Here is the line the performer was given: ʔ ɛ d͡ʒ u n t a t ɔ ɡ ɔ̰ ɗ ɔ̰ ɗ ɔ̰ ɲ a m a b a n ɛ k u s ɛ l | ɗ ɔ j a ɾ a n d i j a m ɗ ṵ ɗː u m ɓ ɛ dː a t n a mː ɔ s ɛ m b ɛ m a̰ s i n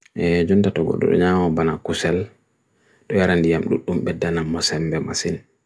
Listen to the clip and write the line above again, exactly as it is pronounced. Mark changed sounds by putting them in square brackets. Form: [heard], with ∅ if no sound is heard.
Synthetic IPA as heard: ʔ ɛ d͡ʒ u n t a t ɔ ɡ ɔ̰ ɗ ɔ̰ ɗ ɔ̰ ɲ a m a b a n [a] k u s ɛ l | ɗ ɔ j a ɾ a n d i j a m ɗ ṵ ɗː u m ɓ ɛ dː a [∅] n a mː ɔ s ɛ m b ɛ m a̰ s i n